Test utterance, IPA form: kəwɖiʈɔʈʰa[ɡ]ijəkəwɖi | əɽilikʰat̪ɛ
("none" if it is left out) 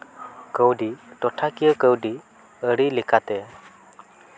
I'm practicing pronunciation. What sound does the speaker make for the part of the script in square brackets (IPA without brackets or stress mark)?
k